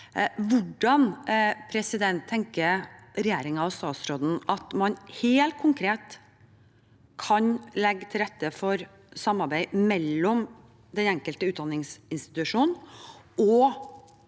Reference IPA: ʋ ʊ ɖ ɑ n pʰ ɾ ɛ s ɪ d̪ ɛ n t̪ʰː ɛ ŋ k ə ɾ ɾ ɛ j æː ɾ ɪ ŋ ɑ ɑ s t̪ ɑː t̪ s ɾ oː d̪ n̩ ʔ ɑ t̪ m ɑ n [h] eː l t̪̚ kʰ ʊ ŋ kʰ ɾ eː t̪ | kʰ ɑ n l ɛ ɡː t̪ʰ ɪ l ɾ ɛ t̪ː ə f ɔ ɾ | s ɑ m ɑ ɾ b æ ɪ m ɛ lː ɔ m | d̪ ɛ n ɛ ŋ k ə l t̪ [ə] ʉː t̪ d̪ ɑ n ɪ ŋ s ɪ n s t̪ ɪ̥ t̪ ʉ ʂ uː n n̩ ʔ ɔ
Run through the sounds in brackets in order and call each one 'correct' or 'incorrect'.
correct, correct

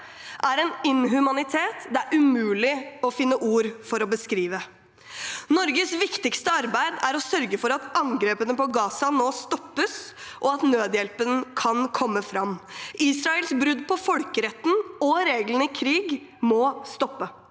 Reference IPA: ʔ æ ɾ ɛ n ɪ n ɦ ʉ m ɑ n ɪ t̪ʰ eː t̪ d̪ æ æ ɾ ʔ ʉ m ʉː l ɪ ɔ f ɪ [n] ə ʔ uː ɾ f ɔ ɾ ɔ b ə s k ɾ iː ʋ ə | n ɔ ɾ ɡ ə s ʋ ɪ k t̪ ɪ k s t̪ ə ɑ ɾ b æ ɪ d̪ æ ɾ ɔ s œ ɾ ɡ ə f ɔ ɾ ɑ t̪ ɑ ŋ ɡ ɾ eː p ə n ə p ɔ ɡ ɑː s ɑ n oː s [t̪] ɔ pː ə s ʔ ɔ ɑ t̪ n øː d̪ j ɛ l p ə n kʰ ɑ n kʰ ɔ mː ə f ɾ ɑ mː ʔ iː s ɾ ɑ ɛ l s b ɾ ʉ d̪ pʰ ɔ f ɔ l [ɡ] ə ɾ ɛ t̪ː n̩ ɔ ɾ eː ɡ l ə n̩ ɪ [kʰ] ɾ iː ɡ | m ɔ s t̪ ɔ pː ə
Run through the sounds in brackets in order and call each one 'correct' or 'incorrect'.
incorrect, correct, incorrect, correct

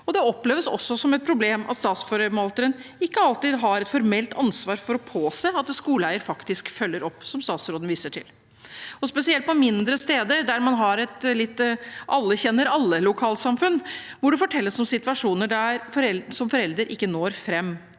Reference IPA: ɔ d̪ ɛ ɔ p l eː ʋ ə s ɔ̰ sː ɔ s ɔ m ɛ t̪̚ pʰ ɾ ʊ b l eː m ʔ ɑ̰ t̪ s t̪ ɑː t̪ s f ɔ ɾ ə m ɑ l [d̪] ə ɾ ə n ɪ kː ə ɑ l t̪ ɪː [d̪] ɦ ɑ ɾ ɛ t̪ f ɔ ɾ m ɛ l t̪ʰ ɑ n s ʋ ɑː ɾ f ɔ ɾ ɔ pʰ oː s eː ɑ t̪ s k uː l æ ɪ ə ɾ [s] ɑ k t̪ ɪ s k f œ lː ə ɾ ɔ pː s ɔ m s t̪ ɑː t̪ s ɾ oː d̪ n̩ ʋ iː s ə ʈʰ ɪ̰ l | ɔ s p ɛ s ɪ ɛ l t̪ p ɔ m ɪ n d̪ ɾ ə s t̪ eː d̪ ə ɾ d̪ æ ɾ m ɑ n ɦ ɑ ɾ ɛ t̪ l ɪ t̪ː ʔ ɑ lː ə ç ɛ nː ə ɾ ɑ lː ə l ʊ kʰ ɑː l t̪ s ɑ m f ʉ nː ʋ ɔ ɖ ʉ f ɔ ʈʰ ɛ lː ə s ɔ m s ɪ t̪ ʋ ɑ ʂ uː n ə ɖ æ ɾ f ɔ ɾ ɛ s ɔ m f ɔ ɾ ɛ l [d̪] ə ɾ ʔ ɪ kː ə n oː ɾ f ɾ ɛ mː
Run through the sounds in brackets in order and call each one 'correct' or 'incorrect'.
incorrect, correct, incorrect, correct

